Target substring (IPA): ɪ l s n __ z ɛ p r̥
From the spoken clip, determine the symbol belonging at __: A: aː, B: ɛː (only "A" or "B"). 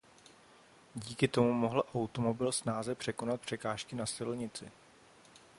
A